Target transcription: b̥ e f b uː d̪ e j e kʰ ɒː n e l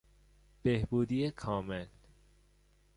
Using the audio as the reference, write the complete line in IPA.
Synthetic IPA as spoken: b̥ e h b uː d̪ i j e kʰ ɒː m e l